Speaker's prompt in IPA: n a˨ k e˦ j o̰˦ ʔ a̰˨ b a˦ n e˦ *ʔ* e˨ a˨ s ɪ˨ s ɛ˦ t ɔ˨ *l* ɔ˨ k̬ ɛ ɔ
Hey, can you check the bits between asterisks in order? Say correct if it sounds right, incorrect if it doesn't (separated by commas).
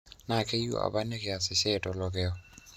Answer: incorrect, correct